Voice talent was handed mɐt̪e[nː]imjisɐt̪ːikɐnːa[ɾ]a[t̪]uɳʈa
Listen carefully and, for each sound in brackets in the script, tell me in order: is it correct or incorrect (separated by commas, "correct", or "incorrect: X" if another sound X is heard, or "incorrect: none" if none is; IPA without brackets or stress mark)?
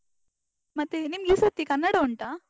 incorrect: n, incorrect: ɽ, incorrect: none